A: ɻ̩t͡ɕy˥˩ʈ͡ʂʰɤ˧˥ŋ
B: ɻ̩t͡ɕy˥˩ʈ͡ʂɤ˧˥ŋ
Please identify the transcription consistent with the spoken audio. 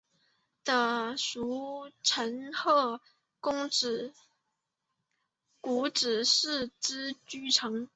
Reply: A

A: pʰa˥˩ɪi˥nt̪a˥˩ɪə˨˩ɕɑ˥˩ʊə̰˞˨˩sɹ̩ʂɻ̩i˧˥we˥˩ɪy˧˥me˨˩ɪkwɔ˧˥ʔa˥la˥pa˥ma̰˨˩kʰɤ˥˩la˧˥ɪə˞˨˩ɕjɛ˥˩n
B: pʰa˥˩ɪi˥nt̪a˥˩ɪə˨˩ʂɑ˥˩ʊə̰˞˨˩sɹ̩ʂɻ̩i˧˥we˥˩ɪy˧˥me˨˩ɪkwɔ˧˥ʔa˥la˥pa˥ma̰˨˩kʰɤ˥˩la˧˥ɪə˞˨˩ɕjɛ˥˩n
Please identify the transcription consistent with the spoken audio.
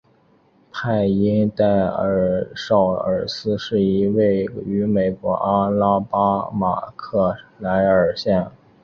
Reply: B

